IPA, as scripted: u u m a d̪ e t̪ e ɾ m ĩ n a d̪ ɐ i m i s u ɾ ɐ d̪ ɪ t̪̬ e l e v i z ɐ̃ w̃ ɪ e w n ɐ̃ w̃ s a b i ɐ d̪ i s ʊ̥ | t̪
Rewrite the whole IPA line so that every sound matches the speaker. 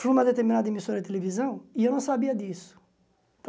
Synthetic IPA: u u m ɐ d̪ e t̪ e ɾ m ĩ n a d̪ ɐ e m i s o ɾ ɐ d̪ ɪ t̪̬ e l e v i z ɐ̃ w̃ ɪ e w n ɐ̃ w̃ s a b i ɐ d̪ i s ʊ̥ | t̪